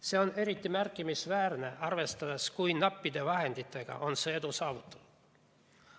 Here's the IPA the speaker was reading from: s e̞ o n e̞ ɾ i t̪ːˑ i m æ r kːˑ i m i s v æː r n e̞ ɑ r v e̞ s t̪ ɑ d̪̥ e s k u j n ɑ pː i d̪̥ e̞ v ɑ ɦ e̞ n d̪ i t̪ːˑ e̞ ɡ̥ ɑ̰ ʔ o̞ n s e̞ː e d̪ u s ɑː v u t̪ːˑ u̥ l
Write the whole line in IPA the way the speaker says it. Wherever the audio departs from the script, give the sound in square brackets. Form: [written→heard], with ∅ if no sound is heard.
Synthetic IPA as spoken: s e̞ o n e̞ ɾ i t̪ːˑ i m æ r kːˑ i m i s v æː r n e̞ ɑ r v e̞ s t̪ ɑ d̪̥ e s k u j n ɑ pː i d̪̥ e̞ v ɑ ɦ e̞ n d̪ i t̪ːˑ e̞ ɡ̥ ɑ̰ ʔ o̞ n s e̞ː e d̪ u s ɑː v u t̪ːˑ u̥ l